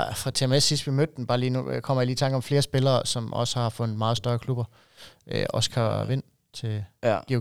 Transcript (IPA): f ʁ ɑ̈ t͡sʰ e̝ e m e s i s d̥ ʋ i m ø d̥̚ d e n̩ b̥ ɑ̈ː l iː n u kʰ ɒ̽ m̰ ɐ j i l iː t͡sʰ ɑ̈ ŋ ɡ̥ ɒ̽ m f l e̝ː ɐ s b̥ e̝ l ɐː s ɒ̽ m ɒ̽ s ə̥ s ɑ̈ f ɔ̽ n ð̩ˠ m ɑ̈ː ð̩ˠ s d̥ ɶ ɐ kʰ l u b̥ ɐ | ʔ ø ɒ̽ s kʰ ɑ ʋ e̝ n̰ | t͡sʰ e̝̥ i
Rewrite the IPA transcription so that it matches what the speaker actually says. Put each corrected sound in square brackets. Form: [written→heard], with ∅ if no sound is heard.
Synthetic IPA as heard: f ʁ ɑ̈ t͡sʰ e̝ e m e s i s d̥ ʋ i m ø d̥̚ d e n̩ b̥ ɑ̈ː l iː n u kʰ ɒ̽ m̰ ɐ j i l iː t͡sʰ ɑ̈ ŋ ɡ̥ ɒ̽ m f l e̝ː ɐ s b̥ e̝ l ɐː s ɒ̽ m ɒ̽ s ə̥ [s→h] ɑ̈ f ɔ̽ n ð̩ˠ m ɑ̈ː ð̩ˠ s d̥ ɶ ɐ kʰ l u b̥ ɐ | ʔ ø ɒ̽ s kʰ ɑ ʋ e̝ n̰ | t͡sʰ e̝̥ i